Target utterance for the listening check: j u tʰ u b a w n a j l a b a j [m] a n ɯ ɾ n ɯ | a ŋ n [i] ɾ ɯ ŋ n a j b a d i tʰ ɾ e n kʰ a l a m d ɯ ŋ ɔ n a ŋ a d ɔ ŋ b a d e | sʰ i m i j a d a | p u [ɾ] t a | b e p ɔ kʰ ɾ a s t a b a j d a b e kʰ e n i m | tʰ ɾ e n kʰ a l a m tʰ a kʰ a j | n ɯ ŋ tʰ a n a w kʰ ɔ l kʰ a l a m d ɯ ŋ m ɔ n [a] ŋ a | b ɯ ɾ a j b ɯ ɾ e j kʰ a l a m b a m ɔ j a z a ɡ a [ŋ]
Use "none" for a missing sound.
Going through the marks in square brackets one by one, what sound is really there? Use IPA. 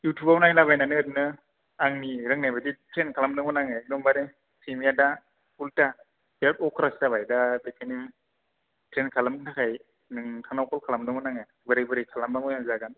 n, i, l, a, n

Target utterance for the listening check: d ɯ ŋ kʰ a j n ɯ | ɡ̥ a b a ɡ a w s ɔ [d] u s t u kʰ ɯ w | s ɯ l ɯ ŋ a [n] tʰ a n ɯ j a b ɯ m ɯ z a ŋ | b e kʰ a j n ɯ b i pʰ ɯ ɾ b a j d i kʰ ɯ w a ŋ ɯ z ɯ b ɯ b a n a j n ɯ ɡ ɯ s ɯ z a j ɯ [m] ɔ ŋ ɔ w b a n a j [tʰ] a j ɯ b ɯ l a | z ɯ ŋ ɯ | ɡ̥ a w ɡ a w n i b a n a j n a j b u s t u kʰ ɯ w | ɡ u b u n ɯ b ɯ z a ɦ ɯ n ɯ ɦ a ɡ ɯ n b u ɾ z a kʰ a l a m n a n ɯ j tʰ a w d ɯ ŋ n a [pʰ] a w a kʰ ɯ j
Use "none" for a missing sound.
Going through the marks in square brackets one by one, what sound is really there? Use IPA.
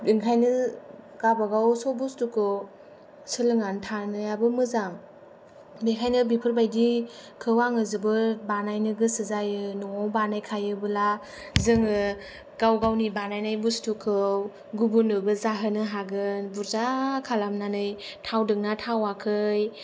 b, n, n, kʰ, tʰ

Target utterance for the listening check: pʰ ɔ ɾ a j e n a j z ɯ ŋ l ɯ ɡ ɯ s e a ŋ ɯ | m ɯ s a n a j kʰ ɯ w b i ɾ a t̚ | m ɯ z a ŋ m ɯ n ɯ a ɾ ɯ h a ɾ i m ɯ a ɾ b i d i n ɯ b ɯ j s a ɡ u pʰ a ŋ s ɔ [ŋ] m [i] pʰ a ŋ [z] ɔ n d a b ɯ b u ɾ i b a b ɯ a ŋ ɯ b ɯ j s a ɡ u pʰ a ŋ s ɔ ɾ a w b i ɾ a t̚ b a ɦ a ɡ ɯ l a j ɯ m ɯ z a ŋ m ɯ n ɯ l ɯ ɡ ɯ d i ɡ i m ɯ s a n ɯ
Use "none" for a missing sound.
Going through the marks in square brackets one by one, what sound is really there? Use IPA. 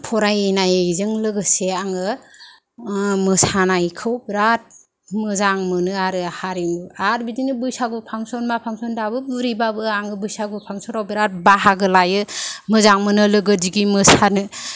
n, a, s

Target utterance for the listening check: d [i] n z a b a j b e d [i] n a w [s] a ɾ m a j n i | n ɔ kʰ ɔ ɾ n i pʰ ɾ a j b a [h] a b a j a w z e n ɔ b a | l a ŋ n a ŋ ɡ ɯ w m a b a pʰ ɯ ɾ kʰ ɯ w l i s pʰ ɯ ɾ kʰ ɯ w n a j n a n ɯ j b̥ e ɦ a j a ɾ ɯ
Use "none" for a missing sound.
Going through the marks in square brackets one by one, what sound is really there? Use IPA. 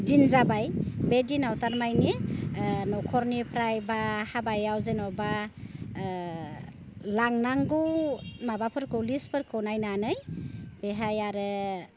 i, i, t, h

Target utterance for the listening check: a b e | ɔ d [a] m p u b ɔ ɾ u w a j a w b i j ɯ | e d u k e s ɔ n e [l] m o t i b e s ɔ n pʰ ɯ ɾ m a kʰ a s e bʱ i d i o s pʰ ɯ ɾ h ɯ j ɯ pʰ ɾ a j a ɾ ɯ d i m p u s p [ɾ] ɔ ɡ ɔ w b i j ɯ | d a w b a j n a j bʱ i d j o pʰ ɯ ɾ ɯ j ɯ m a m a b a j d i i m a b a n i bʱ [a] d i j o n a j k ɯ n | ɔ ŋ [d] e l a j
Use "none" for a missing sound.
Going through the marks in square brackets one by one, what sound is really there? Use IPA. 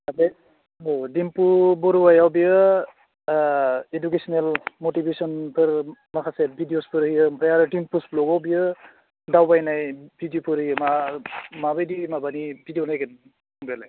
i, l, l, i, b

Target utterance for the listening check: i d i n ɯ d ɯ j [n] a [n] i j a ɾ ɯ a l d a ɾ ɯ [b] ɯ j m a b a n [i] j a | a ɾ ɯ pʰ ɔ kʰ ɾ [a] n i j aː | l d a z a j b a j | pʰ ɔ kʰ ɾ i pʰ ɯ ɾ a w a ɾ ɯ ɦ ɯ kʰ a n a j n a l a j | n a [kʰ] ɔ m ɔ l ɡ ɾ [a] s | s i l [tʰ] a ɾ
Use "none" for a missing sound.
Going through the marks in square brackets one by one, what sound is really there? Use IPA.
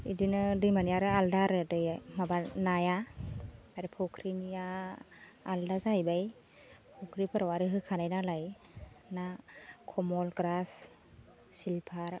m, n, d, a, i, kʰ, a, pʰ

